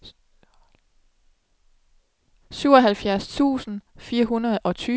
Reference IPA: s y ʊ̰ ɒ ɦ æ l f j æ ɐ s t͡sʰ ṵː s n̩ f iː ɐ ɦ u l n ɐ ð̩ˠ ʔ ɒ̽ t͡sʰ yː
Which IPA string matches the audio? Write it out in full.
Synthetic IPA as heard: s y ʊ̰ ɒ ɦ æ l f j æ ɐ s t͡sʰ ṵː s n̩ f iː ɐ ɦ u n ɐ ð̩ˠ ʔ ɒ̽ t͡sʰ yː